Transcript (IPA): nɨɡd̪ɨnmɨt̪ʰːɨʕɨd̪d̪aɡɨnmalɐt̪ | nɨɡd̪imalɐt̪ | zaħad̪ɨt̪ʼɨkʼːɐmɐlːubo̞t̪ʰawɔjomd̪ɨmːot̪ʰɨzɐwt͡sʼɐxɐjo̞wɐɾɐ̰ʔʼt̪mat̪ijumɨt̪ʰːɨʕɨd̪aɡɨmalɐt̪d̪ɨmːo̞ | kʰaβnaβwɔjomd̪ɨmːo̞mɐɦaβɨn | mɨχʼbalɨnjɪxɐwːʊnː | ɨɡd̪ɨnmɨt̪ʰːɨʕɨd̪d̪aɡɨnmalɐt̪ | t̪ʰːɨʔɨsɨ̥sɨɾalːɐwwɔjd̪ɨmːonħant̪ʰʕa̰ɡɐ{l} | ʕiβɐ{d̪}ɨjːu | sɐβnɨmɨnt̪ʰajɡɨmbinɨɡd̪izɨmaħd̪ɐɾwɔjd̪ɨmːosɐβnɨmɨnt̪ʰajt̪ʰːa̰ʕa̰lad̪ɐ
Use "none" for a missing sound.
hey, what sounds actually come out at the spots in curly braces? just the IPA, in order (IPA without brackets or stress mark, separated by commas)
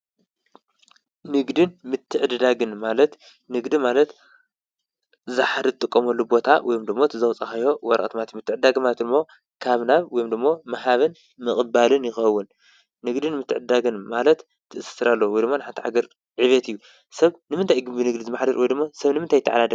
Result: ɾ, t̪